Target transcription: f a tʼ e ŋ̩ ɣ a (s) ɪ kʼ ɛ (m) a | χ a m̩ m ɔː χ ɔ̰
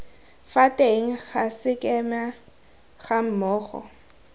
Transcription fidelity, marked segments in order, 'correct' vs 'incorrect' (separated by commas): correct, correct